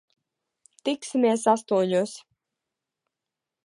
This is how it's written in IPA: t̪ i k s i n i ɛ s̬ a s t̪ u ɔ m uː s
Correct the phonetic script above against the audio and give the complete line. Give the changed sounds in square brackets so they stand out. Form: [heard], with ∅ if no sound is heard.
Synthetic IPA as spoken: t̪ i k s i [m] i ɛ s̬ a s t̪ u ɔ [ɲ] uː s

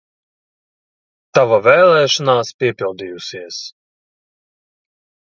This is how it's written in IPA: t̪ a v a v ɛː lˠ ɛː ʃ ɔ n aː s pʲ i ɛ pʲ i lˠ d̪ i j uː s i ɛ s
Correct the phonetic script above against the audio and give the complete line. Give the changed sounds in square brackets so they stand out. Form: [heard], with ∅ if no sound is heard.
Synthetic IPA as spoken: t̪ a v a v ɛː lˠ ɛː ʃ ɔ n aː s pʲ i ɛ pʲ i lˠ d̪ i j [u] s i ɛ s

